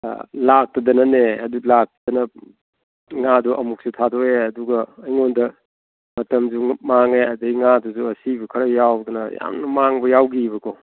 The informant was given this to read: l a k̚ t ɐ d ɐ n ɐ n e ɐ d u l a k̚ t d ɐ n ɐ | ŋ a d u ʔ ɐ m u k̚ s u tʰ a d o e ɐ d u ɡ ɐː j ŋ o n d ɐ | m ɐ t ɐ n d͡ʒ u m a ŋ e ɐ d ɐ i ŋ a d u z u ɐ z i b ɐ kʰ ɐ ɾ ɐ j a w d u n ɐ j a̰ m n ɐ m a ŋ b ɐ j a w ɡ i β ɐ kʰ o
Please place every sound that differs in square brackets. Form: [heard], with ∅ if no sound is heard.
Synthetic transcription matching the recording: l a k̚ t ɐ d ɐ n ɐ n e ɐ d u l a k̚ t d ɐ n ɐ | ŋ a d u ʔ ɐ m u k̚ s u tʰ a d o e ɐ d u ɡ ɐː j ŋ o n d ɐ | m ɐ t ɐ [m] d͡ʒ u m a ŋ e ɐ d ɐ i ŋ a d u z u ɐ [s] i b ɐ kʰ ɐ ɾ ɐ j a w d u n ɐ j a̰ m n ɐ m a ŋ b ɐ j a w ɡ i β ɐ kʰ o